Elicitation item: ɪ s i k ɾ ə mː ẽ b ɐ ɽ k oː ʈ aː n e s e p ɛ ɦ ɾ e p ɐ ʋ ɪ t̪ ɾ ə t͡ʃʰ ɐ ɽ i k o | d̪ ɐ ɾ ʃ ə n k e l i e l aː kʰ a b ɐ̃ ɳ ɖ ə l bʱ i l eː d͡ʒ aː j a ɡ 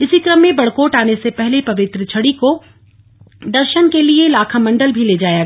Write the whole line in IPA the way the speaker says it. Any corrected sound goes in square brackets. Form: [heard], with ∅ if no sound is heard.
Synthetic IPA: ɪ s i k ɾ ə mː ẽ b ɐ ɽ k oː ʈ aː n e s e p ɛ ɦ [l] e p ɐ ʋ ɪ t̪ ɾ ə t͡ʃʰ ɐ ɽ i k o | d̪ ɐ ɾ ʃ ə n k e l i e l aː kʰ a [m] ɐ̃ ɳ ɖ ə l bʱ i l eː d͡ʒ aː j a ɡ